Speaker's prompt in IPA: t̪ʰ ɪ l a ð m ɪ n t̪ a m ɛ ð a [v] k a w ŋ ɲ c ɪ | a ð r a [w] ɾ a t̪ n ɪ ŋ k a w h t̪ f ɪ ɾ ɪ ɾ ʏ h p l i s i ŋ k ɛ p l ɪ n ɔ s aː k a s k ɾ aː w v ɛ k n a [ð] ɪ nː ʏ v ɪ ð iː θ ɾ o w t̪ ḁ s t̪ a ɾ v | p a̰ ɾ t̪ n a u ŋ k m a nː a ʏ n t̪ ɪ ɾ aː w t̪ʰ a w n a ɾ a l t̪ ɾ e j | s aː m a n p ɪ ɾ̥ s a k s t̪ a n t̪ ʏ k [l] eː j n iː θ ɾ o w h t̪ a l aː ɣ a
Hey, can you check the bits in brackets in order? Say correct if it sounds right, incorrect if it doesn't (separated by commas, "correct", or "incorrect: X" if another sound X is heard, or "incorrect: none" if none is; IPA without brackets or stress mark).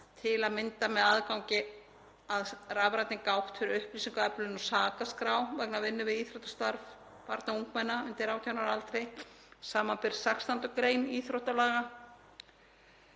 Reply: incorrect: ð, incorrect: v, incorrect: v, incorrect: ɾ